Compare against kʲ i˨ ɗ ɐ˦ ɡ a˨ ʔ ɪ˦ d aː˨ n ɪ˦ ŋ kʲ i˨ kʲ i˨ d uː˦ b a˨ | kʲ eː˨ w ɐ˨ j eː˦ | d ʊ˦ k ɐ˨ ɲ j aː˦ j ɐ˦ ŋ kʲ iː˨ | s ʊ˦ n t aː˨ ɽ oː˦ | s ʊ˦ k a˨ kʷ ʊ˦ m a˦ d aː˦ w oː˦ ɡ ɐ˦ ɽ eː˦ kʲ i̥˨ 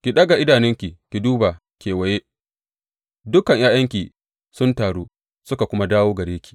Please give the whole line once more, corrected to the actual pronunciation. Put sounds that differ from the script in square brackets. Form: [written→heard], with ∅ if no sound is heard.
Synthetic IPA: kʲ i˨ ɗ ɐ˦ ɡ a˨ ʔ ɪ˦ d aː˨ n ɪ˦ ŋ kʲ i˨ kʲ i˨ d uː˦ b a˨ | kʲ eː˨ w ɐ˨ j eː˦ | d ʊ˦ k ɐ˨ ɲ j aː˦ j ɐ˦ ŋ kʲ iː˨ | s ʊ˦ n t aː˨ ɽ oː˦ | s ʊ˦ k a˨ kʷ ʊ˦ m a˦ d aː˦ w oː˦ ɡ [ɐ˦→ɐ˨] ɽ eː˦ kʲ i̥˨